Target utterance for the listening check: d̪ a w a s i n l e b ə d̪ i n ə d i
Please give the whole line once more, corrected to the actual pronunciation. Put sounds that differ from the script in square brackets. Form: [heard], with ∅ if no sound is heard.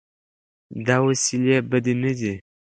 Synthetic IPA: d̪ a w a s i [∅] l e b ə d̪ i n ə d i